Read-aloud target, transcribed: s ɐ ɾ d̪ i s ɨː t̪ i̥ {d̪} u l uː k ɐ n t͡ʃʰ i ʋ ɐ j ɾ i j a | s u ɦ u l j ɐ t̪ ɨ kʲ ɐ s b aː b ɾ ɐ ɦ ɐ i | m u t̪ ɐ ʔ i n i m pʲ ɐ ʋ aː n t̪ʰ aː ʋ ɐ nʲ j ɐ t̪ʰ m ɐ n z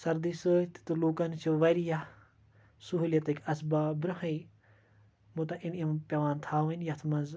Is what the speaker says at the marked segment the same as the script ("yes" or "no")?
no